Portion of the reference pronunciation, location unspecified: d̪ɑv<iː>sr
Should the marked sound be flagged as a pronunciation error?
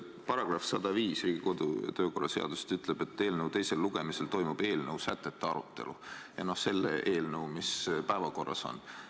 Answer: no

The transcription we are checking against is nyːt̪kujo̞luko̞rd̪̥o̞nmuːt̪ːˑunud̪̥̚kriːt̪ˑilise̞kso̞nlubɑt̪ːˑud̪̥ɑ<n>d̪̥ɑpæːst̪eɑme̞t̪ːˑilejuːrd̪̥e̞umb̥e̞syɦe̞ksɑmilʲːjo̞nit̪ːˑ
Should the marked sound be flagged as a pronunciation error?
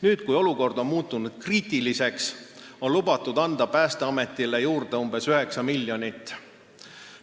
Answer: no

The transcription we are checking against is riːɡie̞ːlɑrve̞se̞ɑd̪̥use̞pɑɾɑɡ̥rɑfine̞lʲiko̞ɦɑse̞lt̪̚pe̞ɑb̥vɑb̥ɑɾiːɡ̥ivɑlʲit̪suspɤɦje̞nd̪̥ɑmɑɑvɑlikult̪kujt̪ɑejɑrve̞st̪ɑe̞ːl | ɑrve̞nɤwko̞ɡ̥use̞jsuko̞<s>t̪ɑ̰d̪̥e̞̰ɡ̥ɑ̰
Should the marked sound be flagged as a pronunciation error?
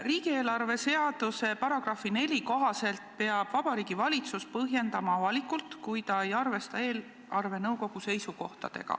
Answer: yes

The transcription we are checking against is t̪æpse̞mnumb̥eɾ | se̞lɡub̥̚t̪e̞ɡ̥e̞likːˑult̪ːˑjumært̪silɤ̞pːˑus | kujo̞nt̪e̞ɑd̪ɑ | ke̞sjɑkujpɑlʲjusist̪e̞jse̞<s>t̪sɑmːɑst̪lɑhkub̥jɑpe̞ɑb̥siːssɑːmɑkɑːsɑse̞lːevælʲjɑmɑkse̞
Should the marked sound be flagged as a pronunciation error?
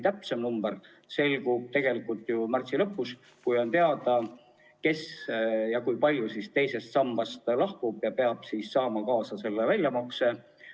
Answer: no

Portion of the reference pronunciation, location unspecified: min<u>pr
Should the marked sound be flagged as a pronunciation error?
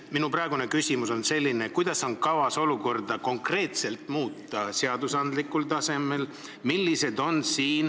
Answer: no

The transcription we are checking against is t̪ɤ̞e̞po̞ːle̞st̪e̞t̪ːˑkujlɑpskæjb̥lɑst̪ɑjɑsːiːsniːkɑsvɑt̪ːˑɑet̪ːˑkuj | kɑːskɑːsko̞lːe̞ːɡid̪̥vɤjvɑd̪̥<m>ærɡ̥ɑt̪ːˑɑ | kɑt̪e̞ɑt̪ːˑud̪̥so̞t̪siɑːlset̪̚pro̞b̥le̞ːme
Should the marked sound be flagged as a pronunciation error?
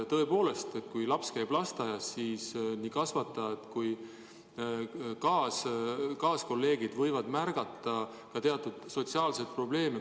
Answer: no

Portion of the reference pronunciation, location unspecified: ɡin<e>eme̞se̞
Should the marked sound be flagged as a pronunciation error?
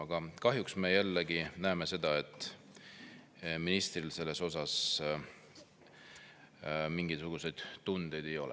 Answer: yes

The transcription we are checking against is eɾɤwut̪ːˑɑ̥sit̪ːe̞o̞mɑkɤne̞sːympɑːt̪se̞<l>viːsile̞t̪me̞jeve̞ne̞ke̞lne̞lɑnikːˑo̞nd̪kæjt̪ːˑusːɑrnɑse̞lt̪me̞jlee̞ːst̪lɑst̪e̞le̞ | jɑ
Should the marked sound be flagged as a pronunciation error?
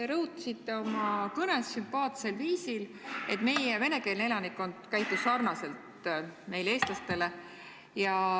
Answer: no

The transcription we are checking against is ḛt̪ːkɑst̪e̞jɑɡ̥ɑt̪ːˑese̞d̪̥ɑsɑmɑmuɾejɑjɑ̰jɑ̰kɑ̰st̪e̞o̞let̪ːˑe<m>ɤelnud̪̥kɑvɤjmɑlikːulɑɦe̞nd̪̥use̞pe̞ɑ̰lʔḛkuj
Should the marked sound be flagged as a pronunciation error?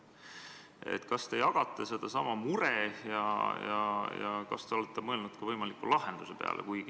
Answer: no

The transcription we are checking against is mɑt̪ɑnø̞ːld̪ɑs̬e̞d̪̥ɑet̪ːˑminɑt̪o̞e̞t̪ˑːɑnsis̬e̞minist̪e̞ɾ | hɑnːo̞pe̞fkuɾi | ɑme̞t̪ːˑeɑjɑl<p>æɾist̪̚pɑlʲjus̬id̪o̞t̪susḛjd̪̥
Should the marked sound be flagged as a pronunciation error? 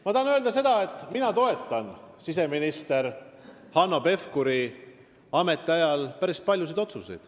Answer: no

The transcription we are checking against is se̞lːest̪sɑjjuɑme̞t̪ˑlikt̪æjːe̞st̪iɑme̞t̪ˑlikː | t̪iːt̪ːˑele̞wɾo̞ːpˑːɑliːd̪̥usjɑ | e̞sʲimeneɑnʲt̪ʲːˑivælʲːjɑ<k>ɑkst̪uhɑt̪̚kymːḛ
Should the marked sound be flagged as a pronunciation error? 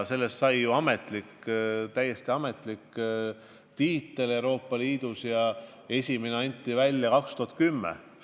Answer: no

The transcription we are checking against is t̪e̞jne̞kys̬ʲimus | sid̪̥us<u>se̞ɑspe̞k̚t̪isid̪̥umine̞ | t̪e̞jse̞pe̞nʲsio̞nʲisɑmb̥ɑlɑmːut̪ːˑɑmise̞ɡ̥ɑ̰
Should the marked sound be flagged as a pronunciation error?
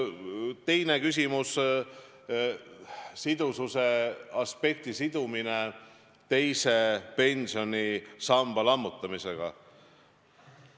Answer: no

